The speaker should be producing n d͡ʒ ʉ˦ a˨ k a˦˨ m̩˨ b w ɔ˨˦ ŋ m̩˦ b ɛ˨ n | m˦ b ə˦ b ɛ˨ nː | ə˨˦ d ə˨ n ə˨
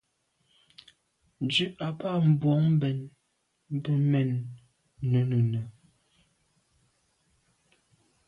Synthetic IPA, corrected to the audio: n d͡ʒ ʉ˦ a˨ p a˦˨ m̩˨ b w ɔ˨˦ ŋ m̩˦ b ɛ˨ n | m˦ b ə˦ m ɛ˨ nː | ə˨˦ n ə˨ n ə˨